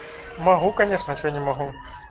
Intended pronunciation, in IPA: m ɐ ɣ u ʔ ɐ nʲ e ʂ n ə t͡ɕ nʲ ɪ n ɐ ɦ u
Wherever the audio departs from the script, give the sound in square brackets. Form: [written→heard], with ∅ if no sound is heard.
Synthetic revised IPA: m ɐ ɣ u [ʔ→k] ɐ nʲ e ʂ n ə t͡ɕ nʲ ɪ [n→m] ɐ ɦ u